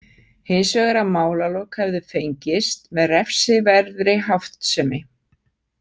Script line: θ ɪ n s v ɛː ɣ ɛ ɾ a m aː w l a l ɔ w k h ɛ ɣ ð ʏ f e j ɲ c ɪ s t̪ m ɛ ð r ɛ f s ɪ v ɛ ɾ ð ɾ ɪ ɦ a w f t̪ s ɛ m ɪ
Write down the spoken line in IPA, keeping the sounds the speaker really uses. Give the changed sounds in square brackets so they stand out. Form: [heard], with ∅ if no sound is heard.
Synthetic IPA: [h] ɪ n s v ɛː ɣ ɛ ɾ a m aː w l a l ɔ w k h ɛ [v] ð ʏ f e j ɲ c ɪ s t̪ m ɛ ð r ɛ f s ɪ v ɛ ɾ ð ɾ ɪ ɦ a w f t̪ s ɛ m ɪ